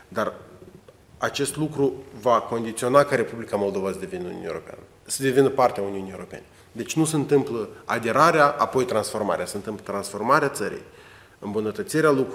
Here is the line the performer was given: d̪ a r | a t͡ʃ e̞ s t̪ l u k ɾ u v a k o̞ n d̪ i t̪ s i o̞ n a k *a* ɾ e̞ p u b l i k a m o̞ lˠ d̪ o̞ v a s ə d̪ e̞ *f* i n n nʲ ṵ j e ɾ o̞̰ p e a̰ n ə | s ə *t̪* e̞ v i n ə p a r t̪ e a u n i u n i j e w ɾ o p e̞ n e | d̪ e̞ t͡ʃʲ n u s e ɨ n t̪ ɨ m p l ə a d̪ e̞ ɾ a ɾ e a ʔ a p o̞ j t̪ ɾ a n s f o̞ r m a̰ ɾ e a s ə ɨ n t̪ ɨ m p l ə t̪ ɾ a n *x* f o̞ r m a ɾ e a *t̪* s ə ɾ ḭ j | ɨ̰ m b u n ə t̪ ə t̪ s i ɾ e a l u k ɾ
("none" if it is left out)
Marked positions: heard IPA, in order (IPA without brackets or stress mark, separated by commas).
ə, v, d̪, s, t̪